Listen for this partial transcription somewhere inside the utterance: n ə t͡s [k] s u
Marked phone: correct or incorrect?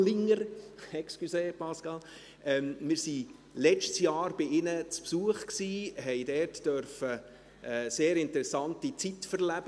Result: incorrect